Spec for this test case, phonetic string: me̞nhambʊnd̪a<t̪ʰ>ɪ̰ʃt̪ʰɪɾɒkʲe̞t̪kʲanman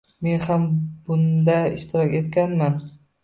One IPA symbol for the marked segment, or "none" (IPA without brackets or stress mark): none